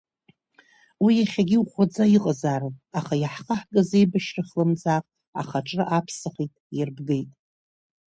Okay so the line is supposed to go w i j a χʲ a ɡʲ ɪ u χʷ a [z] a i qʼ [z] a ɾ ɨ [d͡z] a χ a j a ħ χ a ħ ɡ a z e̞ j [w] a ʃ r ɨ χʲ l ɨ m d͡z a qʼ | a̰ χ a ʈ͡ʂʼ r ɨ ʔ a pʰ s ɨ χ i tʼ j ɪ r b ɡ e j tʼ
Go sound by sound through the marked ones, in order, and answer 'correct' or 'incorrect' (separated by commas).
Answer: incorrect, correct, incorrect, incorrect